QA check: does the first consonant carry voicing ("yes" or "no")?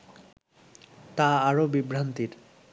no